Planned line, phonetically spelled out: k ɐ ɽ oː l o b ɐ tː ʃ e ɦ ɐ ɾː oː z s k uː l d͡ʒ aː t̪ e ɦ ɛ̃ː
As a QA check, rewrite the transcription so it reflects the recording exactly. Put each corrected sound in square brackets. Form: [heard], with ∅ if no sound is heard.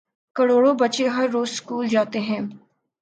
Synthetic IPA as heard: k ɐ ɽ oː [ɽ] o b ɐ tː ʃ e ɦ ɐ ɾː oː z s k uː l d͡ʒ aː t̪ e ɦ ɛ̃ː